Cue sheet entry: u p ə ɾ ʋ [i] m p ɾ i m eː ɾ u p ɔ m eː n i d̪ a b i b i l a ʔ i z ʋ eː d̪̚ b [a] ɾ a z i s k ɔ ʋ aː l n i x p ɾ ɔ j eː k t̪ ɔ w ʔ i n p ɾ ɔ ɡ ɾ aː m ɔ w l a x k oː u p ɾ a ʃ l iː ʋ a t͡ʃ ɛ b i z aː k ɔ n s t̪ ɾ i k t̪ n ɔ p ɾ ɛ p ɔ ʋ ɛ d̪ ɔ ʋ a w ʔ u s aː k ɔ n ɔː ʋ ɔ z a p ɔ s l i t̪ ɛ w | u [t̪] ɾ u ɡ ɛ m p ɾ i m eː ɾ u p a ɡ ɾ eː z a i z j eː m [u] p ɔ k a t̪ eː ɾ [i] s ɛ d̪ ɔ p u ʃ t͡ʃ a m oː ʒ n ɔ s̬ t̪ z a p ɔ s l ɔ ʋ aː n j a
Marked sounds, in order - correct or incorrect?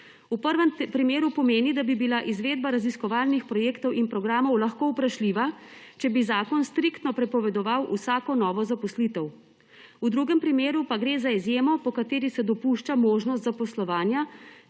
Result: incorrect: ɛ, correct, incorrect: d̪, incorrect: ɔ, correct

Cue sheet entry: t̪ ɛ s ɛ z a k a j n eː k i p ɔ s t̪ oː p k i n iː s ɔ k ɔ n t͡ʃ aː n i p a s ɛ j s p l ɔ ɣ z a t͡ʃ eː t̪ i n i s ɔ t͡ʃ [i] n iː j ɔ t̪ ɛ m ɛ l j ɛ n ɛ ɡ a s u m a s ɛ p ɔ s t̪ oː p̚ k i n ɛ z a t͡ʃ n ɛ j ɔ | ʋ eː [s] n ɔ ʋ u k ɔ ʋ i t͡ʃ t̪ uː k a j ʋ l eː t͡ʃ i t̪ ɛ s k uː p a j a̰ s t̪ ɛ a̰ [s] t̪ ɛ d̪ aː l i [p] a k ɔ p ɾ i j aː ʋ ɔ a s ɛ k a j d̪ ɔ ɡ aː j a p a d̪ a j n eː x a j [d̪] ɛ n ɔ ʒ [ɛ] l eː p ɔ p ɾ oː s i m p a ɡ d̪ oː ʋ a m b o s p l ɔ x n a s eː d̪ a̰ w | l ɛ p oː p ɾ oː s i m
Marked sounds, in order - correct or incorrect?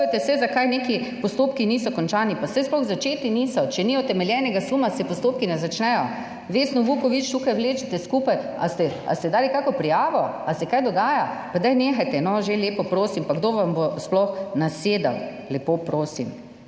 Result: incorrect: ɛ, correct, correct, incorrect: k, incorrect: t̪, incorrect: e

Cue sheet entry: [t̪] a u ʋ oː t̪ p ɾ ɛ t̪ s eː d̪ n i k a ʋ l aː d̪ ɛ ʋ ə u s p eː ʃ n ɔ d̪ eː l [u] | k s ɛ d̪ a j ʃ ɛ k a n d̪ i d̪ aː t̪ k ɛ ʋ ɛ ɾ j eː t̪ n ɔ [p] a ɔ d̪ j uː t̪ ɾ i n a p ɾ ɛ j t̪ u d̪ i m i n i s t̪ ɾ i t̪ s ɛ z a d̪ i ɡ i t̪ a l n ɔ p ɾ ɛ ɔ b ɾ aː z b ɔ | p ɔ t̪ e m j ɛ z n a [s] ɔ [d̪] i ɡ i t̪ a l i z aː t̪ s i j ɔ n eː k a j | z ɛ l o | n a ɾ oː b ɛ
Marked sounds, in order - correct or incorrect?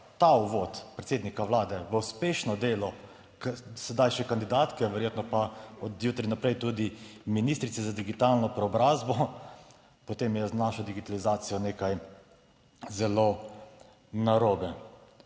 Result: correct, incorrect: ɔ, correct, incorrect: ʃ, correct

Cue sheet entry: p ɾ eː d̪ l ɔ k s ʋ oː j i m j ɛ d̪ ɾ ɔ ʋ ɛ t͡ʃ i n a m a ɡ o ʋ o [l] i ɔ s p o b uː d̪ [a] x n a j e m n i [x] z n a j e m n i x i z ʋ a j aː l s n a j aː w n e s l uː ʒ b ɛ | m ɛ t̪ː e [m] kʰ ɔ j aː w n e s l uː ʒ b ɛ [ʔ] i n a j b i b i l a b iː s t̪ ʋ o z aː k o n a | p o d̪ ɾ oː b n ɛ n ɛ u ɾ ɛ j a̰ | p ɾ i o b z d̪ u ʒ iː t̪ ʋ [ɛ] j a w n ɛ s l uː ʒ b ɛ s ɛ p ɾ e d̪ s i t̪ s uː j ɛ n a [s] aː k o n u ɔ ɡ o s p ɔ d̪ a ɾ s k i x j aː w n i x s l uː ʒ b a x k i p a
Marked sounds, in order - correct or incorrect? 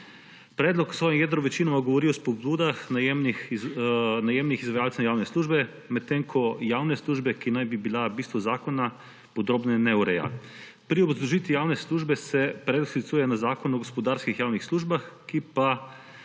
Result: incorrect: ɾ, correct, correct, incorrect: ŋ, incorrect: k, incorrect: i, incorrect: z

